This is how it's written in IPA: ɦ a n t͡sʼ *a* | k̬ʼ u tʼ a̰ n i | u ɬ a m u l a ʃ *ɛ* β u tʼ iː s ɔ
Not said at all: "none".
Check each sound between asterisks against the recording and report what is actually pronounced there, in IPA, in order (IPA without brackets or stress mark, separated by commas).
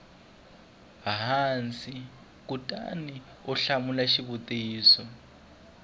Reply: i, i